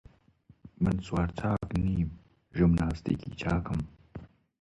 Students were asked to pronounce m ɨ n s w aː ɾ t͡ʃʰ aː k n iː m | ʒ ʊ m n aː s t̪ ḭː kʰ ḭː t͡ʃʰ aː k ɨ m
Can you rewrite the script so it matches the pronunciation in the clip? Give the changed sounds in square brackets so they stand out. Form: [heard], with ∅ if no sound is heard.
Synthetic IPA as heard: m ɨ n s w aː ɾ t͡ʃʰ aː k n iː m | ʒ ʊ m n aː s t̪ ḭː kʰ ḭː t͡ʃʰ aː k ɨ m